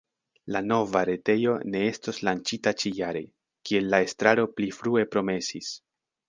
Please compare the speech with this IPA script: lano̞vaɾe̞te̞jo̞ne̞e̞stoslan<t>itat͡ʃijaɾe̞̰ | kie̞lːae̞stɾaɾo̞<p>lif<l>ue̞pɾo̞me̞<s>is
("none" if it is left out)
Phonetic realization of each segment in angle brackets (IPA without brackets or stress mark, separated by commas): t͡ʃ, p, ɾ, s